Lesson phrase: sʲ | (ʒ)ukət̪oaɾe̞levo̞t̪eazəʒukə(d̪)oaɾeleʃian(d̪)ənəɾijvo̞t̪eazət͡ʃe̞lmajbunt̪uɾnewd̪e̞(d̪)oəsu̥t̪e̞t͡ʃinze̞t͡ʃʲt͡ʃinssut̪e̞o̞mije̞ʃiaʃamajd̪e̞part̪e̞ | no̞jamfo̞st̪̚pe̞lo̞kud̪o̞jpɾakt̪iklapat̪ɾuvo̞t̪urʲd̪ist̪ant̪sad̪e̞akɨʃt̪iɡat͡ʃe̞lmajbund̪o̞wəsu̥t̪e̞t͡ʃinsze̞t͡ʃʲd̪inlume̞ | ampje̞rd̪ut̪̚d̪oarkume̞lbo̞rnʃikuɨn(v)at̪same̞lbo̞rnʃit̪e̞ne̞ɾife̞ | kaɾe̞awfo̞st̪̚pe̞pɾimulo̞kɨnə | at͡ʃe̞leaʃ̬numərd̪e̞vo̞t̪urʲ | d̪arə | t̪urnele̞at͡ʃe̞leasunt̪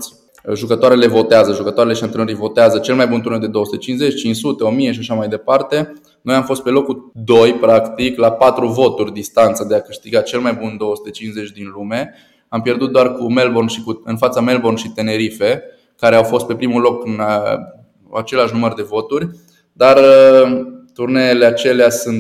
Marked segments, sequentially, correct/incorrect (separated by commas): correct, incorrect, incorrect, correct, incorrect